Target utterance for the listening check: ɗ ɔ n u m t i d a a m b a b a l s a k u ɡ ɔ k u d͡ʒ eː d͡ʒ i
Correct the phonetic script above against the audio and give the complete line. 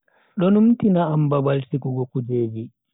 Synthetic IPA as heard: ɗ ɔ n u m t i n a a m b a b a l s i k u ɡ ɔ k u d͡ʒ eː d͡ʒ i